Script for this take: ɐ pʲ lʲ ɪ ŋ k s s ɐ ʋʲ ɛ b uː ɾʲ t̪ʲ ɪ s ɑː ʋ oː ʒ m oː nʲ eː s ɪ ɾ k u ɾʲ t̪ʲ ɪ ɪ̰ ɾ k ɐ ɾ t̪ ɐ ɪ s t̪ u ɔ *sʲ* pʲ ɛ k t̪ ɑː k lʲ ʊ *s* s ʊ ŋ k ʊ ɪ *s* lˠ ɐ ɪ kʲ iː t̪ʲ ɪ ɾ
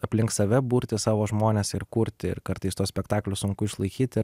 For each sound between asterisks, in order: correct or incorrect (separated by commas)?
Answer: correct, correct, incorrect